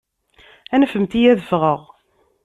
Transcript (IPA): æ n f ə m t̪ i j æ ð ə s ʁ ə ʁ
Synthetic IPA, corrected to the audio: æ n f ə m t̪ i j æ ð ə f ʁ ə ʁ